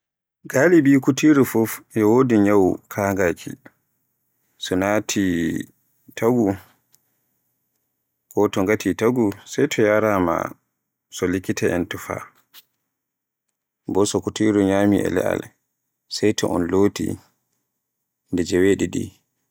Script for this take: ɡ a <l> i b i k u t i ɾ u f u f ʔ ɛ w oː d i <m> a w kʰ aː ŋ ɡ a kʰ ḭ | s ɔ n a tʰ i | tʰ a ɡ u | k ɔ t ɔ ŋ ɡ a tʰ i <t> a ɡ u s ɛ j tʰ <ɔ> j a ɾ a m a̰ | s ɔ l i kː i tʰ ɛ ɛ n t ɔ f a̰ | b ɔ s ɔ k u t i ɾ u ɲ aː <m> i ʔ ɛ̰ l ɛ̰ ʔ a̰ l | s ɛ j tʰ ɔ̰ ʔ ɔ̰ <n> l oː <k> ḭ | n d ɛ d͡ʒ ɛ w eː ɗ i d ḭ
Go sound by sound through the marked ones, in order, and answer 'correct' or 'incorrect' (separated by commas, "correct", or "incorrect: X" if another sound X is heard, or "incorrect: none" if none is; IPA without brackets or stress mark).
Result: correct, incorrect: ɲ, correct, correct, correct, correct, incorrect: t